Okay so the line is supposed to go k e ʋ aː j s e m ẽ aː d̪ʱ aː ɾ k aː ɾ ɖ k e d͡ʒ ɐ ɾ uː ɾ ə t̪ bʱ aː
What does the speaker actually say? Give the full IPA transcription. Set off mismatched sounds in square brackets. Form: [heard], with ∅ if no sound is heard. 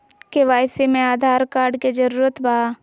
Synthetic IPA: k e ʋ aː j s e m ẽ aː d̪ʱ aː ɾ k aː ɾ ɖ k e d͡ʒ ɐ ɾ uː ɾ ə t̪ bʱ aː

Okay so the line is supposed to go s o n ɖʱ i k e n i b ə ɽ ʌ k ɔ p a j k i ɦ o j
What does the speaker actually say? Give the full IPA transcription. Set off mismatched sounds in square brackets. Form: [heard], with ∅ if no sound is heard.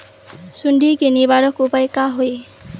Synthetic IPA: s [u] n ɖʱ i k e n i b [a] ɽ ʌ k [u] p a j k [a] ɦ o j

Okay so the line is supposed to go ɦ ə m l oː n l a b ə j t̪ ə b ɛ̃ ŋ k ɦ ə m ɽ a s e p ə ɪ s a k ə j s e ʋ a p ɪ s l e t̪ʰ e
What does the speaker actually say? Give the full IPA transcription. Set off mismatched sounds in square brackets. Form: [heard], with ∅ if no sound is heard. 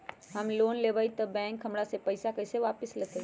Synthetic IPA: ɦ ə m l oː n l [e] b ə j t̪ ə b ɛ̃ ŋ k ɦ ə m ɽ a s e p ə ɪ s a k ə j s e ʋ a p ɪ s l e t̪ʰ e

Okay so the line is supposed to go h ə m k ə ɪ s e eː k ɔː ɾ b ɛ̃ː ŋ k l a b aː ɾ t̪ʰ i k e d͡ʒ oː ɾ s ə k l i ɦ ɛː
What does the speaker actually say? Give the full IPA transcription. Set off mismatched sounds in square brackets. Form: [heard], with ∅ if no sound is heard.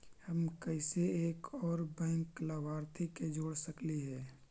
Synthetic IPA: h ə m k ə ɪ s e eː k ɔː ɾ b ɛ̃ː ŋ k l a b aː ɾ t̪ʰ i k e d͡ʒ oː [ɽ] s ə k l i ɦ ɛː

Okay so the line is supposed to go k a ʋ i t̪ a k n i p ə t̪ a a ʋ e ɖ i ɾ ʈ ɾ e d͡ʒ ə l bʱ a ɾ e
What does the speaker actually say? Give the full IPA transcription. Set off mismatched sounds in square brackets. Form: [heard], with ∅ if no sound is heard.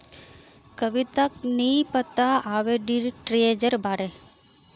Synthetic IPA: k [ə] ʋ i t̪ a k n i p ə t̪ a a ʋ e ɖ i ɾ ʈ ɾ e d͡ʒ ə [ɾ] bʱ a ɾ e

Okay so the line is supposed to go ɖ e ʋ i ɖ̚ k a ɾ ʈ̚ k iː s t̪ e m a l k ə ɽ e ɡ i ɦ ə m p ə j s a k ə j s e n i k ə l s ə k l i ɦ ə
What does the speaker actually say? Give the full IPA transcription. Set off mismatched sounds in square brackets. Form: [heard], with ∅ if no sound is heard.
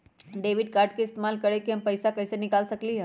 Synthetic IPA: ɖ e ʋ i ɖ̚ k a ɾ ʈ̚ k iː s t̪ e m a l k ə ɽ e [k] i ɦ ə m p ə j s a k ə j s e n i k [a] l s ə k l i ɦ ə

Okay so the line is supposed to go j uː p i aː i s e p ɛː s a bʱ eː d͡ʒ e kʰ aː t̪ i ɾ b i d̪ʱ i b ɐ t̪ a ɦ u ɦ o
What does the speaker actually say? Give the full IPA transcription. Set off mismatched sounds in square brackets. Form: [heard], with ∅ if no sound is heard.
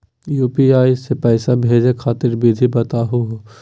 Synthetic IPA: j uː p i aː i s e p ɛː s a bʱ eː d͡ʒ e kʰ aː t̪ [ɪ] ɾ b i d̪ʱ i b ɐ t̪ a ɦ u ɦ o

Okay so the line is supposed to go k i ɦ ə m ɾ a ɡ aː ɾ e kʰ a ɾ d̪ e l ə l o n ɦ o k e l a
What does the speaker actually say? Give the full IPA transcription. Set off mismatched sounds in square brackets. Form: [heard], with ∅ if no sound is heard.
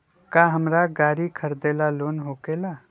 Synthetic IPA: k [a] ɦ ə m ɾ a ɡ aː ɾ [i] kʰ [ə] ɾ d̪ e l [a] l o n ɦ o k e l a

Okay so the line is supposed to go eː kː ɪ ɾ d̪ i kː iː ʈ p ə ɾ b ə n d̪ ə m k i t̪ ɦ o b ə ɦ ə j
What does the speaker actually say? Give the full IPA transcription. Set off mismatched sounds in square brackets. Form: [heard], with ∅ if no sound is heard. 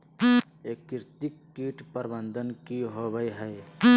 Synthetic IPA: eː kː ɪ ɾ [t̪] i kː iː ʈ p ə ɾ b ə n d̪ ə [n] k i [∅] ɦ o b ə ɦ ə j

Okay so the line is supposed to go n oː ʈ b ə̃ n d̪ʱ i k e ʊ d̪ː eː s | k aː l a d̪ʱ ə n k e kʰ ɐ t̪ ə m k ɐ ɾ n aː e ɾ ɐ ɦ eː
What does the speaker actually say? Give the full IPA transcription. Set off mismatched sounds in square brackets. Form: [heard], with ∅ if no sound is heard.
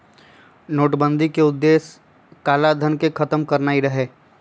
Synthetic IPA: n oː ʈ b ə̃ n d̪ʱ i k e ʊ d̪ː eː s | k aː l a d̪ʱ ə n k e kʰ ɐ t̪ ə m k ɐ ɾ n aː [i] ɾ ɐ ɦ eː

